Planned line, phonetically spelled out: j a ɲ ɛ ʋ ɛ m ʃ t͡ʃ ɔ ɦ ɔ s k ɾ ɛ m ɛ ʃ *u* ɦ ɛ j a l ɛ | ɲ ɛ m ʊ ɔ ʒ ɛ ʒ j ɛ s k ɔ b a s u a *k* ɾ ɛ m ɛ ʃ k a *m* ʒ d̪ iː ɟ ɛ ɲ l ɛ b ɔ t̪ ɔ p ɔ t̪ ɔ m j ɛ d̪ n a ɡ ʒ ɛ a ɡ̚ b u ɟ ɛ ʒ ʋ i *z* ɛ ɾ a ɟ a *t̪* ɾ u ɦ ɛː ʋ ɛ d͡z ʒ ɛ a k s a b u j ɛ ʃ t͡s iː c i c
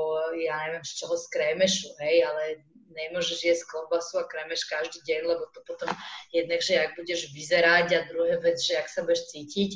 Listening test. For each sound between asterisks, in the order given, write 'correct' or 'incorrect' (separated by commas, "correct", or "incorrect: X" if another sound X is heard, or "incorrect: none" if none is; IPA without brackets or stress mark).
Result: correct, correct, incorrect: none, correct, incorrect: d̪